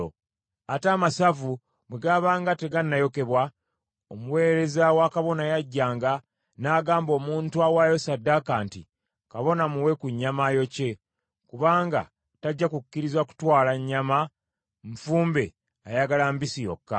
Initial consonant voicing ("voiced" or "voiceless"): voiceless